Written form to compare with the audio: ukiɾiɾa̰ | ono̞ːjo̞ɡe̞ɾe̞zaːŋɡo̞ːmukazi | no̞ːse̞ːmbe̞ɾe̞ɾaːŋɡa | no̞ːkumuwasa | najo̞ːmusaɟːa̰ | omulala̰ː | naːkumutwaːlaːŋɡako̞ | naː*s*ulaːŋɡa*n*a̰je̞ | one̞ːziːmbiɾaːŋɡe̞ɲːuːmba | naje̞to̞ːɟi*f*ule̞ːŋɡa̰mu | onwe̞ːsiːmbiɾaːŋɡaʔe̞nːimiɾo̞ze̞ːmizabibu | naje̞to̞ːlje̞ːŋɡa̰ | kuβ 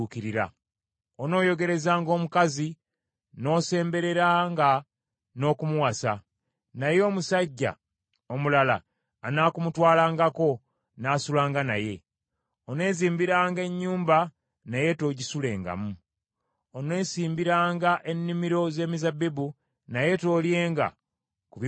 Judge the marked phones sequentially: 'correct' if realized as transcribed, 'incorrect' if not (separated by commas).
correct, correct, incorrect